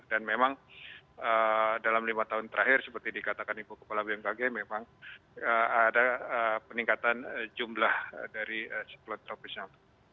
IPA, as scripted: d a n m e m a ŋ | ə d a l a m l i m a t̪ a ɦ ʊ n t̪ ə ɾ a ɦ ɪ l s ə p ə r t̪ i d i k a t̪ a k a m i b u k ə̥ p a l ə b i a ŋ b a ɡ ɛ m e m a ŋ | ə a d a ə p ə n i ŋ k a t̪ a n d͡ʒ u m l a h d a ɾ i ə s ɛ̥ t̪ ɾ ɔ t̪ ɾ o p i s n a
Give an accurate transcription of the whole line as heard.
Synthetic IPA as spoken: d a n m e m a ŋ | ə d a l a m l i m a t̪ a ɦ ʊ n t̪ ə ɾ a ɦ ɪ r s ə p ə r t̪ i d i k a t̪ a k a n i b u k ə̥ p a l a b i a ŋ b a ɡ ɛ m e m a ŋ | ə a d a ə p ə n i ŋ k a t̪ a n d͡ʒ u m l a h d a ɾ i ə s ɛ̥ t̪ l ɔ t̪ ɾ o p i s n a